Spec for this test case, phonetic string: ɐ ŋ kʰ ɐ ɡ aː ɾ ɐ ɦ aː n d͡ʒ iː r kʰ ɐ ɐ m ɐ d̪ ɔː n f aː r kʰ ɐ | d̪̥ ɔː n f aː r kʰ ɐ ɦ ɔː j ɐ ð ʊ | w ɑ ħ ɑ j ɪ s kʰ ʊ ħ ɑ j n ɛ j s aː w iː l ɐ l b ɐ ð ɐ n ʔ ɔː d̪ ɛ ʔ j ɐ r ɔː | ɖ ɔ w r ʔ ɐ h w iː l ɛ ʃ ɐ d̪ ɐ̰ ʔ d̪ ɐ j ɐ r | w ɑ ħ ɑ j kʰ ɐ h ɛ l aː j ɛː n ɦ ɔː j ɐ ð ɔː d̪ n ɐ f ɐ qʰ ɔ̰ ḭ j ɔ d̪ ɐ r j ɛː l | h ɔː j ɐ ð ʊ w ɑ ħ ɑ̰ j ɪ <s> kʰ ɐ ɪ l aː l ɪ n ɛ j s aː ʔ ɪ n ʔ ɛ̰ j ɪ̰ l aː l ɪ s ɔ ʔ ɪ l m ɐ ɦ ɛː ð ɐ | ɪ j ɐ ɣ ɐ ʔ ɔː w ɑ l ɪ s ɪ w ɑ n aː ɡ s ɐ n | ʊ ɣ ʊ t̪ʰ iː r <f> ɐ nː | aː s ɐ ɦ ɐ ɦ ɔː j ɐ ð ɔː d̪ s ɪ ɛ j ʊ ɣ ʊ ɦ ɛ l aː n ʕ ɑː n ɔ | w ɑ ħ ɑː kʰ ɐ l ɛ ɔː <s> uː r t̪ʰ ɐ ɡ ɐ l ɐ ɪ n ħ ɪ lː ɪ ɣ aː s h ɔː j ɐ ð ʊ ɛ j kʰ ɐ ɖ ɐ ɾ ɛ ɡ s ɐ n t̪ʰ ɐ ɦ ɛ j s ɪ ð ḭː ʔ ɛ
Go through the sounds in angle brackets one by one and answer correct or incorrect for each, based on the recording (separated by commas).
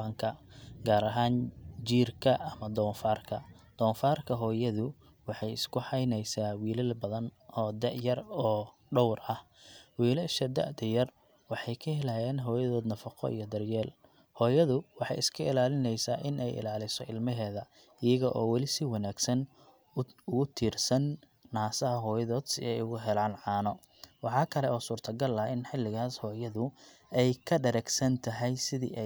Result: correct, incorrect, correct